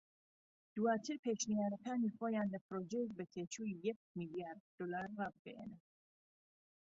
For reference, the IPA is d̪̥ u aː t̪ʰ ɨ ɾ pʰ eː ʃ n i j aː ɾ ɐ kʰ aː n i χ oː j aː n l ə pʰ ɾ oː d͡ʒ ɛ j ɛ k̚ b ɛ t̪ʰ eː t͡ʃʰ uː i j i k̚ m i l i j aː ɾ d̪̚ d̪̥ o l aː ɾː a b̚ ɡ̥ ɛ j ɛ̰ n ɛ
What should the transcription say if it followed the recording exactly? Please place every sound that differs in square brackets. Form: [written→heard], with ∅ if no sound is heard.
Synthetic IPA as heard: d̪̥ u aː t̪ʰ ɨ ɾ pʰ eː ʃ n i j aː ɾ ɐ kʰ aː n i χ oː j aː n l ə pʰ ɾ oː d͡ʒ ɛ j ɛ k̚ b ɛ t̪ʰ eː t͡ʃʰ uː i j [i→ɛ] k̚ m i l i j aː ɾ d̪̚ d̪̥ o l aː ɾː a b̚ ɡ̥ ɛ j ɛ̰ n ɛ